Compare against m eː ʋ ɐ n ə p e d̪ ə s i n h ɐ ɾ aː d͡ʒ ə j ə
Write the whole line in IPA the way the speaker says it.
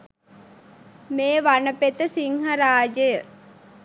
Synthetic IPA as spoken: m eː ʋ a n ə p e t̪ ə s i ŋ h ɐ ɾ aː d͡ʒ ə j ə